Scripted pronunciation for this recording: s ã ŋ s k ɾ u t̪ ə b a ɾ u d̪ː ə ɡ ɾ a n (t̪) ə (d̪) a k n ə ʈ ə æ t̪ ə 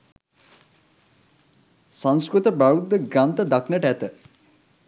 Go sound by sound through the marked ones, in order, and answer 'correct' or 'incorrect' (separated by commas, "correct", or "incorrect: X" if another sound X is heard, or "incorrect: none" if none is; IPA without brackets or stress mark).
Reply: correct, correct